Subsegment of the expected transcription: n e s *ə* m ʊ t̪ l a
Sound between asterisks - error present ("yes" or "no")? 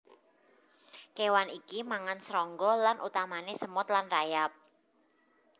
no